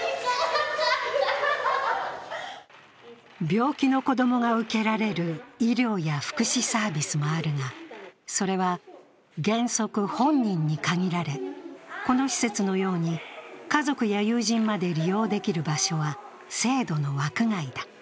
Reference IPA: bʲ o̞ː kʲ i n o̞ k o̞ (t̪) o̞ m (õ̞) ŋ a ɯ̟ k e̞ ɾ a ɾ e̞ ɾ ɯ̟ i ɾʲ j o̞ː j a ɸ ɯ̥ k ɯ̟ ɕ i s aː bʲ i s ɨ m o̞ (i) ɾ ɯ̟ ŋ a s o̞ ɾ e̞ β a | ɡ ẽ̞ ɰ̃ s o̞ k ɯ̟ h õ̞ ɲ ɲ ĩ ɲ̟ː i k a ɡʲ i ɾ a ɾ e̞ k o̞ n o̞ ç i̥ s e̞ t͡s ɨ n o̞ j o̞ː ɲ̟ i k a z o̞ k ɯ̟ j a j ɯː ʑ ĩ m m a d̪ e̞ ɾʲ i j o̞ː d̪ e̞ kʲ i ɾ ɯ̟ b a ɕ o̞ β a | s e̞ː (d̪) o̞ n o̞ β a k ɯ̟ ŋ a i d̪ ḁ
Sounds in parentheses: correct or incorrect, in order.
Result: incorrect: d̪, incorrect: o̞, incorrect: a, correct

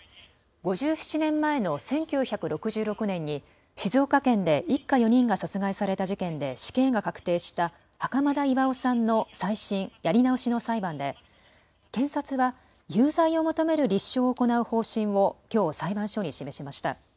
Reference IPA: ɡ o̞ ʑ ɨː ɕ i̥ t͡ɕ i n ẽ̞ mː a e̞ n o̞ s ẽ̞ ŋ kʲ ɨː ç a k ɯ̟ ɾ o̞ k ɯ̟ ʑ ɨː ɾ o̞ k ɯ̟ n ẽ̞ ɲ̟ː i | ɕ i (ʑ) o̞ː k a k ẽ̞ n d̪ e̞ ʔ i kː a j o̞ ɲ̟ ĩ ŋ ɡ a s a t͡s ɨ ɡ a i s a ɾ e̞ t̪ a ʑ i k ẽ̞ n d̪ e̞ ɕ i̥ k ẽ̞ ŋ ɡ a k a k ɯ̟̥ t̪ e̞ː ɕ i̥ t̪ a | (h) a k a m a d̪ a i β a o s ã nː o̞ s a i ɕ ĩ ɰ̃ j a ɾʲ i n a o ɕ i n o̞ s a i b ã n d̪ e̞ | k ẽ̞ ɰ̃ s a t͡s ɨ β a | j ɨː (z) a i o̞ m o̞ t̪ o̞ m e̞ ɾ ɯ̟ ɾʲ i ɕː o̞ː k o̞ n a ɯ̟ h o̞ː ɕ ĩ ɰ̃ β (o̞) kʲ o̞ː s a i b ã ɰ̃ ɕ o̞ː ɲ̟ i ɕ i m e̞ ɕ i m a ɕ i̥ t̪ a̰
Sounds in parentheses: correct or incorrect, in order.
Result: incorrect: z, correct, correct, correct

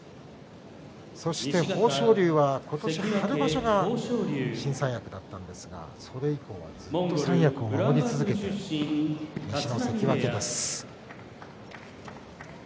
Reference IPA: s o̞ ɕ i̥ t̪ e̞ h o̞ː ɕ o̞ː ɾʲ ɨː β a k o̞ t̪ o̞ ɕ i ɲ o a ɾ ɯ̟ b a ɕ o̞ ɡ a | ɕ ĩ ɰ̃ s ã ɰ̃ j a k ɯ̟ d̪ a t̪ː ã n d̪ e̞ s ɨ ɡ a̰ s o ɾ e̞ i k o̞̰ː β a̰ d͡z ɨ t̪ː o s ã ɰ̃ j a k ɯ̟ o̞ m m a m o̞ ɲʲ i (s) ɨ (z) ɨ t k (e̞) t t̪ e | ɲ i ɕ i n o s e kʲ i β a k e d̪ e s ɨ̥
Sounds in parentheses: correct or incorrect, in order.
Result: incorrect: t͡s, correct, correct

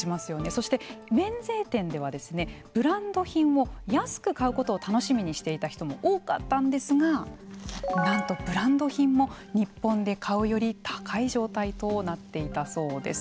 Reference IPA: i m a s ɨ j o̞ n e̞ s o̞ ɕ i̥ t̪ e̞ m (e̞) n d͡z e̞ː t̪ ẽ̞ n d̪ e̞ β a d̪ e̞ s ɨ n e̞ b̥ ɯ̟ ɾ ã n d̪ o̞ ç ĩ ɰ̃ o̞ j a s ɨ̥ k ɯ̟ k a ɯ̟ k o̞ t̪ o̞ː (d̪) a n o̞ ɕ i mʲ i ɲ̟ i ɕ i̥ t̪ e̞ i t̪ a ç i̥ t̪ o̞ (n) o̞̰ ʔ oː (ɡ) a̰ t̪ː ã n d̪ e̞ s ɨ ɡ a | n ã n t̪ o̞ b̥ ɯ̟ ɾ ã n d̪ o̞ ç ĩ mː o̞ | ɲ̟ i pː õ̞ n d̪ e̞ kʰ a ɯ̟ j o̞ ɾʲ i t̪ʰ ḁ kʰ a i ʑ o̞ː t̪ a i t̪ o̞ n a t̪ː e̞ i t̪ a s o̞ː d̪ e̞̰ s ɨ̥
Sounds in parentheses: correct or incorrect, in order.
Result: incorrect: ẽ̞, incorrect: t̪, incorrect: m, incorrect: k

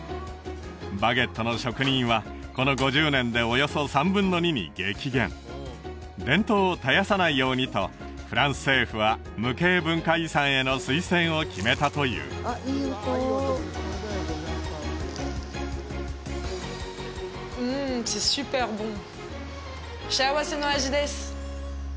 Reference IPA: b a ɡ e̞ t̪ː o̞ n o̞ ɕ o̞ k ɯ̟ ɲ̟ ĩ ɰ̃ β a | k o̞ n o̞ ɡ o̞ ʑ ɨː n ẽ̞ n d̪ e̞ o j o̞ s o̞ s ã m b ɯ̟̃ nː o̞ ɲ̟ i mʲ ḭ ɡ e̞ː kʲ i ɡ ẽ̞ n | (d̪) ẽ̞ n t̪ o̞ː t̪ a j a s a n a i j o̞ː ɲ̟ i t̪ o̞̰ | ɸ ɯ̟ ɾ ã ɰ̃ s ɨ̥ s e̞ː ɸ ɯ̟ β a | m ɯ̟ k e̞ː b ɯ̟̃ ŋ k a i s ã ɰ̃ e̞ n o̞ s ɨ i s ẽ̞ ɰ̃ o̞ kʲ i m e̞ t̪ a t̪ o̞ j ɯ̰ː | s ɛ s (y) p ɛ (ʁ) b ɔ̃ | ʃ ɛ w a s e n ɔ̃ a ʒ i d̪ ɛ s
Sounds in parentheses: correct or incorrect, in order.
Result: correct, correct, correct

